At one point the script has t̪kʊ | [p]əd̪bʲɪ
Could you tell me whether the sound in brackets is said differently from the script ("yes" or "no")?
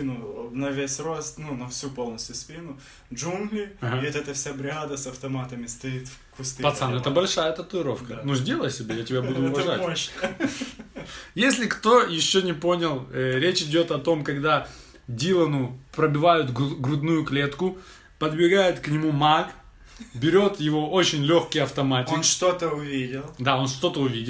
no